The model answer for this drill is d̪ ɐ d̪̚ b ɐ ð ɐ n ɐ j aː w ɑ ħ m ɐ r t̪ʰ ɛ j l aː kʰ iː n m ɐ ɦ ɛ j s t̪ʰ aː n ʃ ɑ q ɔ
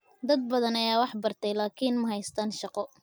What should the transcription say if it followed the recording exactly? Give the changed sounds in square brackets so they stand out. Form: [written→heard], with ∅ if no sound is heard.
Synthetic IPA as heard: d̪ ɐ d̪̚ b ɐ ð ɐ n ɐ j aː w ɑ ħ [m→b] ɐ r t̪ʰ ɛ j l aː kʰ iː n m ɐ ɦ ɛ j s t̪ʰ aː n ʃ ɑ q ɔ